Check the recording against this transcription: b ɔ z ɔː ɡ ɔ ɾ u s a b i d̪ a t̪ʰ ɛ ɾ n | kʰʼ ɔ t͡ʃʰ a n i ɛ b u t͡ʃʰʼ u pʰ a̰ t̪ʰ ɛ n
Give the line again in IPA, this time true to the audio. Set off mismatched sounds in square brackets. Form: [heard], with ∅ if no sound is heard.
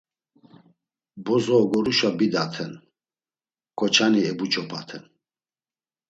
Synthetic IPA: b ɔ z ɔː ɡ ɔ ɾ u [ʃ] a b i d̪ a t̪ʰ ɛ [∅] n | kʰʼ ɔ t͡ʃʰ a n i ɛ b u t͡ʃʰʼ [ɔ] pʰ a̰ t̪ʰ ɛ n